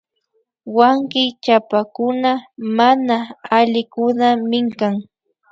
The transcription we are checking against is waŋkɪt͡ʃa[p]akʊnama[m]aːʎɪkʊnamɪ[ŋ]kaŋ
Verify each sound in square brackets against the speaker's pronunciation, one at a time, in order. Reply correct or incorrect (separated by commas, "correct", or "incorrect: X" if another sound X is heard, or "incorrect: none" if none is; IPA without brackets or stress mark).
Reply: correct, incorrect: n, correct